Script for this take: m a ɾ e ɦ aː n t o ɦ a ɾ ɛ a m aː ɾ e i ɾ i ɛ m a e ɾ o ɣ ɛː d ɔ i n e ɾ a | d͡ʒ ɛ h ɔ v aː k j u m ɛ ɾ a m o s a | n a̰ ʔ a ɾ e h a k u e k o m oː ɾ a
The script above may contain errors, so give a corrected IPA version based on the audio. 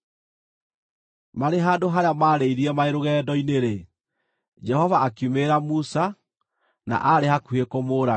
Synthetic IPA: m a ɾ e ɦ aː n d o ɦ a ɾ e a m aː ɾ e i ɾ i ɛ m a e ɾ o ɣ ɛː d ɔ i n e ɾ e | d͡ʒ ɛ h ɔ v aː k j u m e ɾ a m u s a | n a̰ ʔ a ɾ e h a k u e k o m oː ɾ a

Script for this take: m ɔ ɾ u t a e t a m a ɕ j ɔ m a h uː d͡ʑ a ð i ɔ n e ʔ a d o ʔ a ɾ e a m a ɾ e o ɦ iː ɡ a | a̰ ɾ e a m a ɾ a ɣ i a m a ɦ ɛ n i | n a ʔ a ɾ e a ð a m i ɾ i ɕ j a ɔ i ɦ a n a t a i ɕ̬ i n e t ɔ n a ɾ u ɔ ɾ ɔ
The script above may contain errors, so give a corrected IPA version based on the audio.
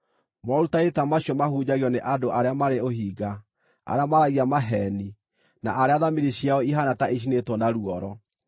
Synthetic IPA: m ɔ ɾ u t a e t a m a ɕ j ɔ m a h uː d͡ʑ a ɣ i ɔ n e ʔ a d o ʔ a ɾ e a m a ɾ e o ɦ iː ɡ a | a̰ ɾ e a m a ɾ a ɣ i a m a ɦ ɛ n i | n a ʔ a ɾ e a ð a m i ɾ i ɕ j a ɔ i ɦ a n a t a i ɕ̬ i n e t ɔ n a ɾ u ɔ ɾ ɔ

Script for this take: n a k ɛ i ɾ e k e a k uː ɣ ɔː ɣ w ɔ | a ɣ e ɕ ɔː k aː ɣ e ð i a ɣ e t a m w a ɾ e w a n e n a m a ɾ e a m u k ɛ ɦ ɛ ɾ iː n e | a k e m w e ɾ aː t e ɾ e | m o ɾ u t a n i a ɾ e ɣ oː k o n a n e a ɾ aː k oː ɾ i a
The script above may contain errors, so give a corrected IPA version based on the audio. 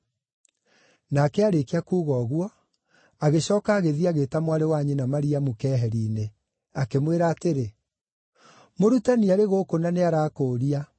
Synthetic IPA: n a k ɛ a ɾ e k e a k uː ɣ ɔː ɣ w ɔ | a ɣ e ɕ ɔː k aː ɣ e ð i a ɣ e t a m w a ɾ e w a ɲ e n a m a ɾ i a m u k ɛ ɦ ɛ ɾ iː n e | a k e m w e ɾ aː t e ɾ e | m o ɾ u t a n i a ɾ e ɣ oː k o n a n e a ɾ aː k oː ɾ i a

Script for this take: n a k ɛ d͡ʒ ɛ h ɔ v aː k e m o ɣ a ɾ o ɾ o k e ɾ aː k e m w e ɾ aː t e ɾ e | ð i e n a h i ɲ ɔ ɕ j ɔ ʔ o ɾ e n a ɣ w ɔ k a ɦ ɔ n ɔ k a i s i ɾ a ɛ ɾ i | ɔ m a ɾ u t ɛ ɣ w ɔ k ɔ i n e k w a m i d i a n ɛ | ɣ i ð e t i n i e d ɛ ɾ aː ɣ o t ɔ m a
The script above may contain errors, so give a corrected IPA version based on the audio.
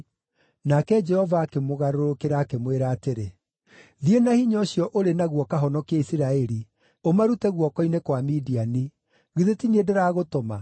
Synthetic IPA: n a k ɛ d͡ʒ ɛ h ɔ v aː k e m o ɣ a ɾ o ɾ o k e ɾ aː k e m w e ɾ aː t e ɾ e | ð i e n a h i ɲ ɔ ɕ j ɔ ʔ o ɾ e n a ɣ w ɔ k a ɦ ɔ n ɔ k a i s i ɾ a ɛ ɾ i | o m a ɾ u t ɛ ɣ w ɔ k ɔ i n e k w a m i d i a n i | ɣ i ð e t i n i e d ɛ ɾ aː ɣ o t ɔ m a

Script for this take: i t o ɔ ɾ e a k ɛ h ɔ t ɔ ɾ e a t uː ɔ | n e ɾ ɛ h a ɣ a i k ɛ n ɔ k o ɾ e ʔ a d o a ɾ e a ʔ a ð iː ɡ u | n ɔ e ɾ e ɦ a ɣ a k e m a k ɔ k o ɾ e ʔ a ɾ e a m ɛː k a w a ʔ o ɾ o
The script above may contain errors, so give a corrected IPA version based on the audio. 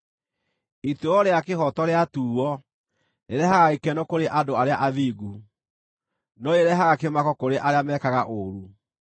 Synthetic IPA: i t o ɔ ɾ e a k e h ɔ t ɔ ɾ e a t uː ɔ | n e ɾ ɛ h a ɣ a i k ɛ n ɔ k o ɾ e ʔ a d o a ɾ e a ʔ a ð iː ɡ u | n ɔ e ɾ ɛ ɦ a ɣ a k e m a k ɔ k o ɾ e ʔ a ɾ e a m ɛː k a ɣ a ʔ o ɾ u

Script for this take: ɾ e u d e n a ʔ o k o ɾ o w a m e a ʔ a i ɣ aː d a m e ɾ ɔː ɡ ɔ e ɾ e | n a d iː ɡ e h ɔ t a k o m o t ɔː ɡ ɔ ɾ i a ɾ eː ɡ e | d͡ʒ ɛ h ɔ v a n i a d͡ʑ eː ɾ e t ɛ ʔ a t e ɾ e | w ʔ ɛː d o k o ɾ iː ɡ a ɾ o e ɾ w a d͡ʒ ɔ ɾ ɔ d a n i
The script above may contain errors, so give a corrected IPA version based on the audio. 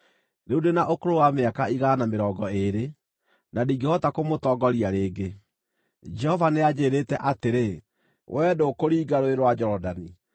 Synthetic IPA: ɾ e u d e n a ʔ o k o ɾ o w a m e a k a i ɣ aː n a m e ɾ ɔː ɡ ɔ e ɾ e | n a d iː ɡ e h ɔ t a k o m o t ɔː ɡ ɔ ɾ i a ɾ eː ɡ e | d͡ʒ ɛ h ɔ v a n e a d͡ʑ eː ɾ e t ɛ ʔ a t e ɾ e | w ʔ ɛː d o k o ɾ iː ɡ a ɾ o e ɾ w a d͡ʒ ɔ ɾ ɔ d a n i

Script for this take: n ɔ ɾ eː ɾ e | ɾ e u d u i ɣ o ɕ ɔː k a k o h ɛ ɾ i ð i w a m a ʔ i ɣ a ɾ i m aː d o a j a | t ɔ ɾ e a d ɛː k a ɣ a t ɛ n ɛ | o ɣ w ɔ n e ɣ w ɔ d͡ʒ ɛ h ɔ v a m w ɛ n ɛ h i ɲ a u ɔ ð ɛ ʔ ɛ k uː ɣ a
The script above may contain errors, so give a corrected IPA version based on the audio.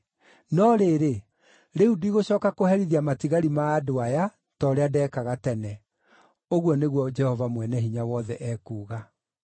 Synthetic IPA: n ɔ ɾ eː ɾ e | ɾ e u d u i ɣ o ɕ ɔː k a k o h ɛ ɾ i ð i a m a t i ɣ a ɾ i m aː d o a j a | t ɔ ɾ e a d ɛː k a ɣ a t ɛ n ɛ | o ɣ w ɔ n e ɣ w ɔ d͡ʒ ɛ h ɔ v a m w ɛ n ɛ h i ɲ a w ɔ ð ɛ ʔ ɛ k uː ɣ a

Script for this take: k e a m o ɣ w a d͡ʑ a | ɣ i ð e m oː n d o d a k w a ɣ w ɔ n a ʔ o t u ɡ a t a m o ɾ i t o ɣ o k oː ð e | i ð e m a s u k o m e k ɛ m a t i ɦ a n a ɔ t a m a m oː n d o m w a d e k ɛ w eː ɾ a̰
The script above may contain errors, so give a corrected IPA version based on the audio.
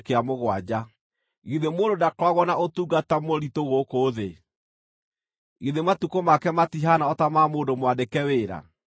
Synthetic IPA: k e a m o ɣ w a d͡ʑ a | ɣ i ð e m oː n d o d a k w a ɣ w ɔ n a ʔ o t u ɡ a t a m o ɾ i t o ɣ o k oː ð e | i ð e m a t u k o m a k ɛ m a t i ɦ a n a ɔ t a m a m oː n d o m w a d e k ɛ w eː ɾ a̰

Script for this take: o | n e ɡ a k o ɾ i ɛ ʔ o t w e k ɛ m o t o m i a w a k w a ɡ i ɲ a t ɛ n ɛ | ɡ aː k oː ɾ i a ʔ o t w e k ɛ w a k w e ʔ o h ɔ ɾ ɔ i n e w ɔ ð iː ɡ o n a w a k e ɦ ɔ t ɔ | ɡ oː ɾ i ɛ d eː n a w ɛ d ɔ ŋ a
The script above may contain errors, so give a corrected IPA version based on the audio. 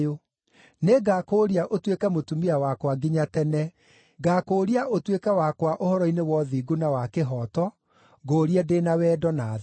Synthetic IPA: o | n e ɡ a k o ɾ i a ʔ o t w e k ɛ m o t u m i a w a k w a ɡ i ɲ a t ɛ n ɛ | ɡ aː k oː ɾ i a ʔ o t w e k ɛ w a k w a ʔ o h ɔ ɾ ɔ i n e w ɔ ð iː ɡ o n a w a k e ɦ ɔ t ɔ | ɡ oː ɾ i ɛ d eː n a w ɛ d ɔ n a

